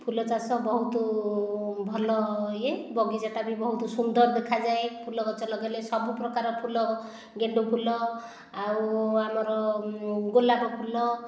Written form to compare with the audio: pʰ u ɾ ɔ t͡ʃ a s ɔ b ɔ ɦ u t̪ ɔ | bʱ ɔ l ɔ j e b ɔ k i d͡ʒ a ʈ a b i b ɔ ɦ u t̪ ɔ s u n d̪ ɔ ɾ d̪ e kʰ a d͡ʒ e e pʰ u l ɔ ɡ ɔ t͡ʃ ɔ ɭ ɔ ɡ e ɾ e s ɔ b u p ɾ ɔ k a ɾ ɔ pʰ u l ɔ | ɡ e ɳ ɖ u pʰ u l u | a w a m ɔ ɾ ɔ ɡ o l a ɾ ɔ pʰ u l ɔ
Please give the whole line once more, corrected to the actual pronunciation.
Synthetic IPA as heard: pʰ u l ɔ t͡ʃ a s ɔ b ɔ ɦ u t̪ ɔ | bʱ ɔ l ɔ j e b ɔ ɡ i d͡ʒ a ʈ a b i b ɔ ɦ u t̪ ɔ s u n d̪ ɔ ɾ d̪ e kʰ a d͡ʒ a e pʰ u l ɔ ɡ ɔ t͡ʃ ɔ l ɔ ɡ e l e s ɔ b u p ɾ ɔ k a ɾ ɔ pʰ u l ɔ | ɡ e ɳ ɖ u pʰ u l ɔ | a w a m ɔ ɾ ɔ ɡ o l a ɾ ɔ pʰ u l ɔ